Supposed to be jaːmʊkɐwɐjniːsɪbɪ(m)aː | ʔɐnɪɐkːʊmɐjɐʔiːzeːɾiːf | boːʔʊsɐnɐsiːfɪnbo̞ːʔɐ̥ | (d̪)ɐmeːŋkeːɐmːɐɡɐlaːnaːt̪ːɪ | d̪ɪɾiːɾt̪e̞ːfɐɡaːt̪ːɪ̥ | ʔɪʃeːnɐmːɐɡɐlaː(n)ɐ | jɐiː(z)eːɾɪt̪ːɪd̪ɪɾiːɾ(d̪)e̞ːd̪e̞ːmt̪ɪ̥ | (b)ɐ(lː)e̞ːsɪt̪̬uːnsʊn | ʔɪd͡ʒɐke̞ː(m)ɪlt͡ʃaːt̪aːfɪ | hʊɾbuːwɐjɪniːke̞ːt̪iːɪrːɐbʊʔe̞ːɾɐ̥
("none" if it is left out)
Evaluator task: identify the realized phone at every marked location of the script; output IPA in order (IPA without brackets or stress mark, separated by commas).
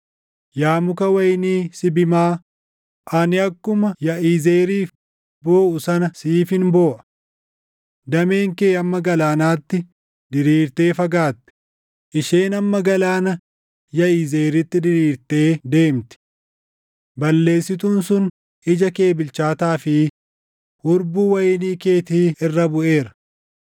m, d̪, n, z, t̪, b, lː, b